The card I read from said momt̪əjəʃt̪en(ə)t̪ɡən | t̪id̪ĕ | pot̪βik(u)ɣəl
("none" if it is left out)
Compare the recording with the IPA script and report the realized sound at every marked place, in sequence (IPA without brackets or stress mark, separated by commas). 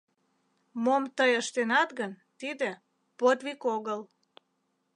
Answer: ɑ, o